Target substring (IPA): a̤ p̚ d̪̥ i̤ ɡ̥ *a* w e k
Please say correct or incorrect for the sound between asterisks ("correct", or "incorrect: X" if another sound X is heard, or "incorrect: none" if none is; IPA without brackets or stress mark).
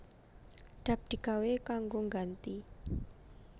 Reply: correct